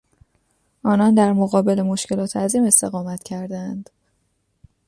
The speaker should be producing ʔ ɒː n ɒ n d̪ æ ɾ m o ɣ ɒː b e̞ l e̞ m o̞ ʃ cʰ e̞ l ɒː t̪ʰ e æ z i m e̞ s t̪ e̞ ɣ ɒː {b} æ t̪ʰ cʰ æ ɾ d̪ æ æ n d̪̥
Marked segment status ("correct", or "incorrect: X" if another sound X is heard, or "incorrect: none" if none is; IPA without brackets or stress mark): incorrect: m